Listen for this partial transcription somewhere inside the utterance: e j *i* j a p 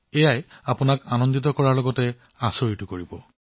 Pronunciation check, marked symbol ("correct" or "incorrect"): incorrect